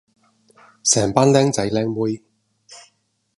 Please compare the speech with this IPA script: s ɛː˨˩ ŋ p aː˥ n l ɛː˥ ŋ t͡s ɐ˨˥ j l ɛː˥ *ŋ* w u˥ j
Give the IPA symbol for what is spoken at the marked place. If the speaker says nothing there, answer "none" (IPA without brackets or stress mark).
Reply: ŋ